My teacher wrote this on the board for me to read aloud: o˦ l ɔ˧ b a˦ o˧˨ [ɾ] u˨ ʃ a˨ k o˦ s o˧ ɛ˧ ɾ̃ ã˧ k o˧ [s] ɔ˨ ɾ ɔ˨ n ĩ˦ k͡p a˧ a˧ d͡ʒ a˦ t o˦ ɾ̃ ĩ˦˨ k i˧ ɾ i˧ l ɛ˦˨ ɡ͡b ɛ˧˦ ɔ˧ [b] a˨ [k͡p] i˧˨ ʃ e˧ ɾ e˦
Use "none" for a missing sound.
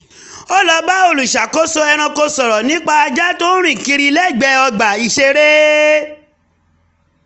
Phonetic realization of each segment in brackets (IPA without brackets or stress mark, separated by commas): l, s, ɡ͡b, none